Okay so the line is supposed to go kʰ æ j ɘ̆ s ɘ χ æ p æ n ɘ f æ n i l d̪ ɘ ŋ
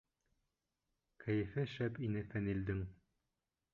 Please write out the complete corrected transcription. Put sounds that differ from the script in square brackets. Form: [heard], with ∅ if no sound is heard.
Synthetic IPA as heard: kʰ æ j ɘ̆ [f] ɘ [ʃ] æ p [i] n ɘ f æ n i l d̪ ɘ ŋ